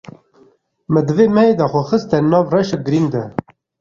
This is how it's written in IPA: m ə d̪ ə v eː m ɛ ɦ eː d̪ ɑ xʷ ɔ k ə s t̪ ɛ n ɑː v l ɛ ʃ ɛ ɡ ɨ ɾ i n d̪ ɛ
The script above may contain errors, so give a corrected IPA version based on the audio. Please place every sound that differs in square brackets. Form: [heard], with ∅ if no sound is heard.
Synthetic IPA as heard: m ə d̪ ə v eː m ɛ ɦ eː d̪ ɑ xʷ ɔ [x] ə s t̪ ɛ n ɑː v [r] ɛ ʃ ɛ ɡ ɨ ɾ i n d̪ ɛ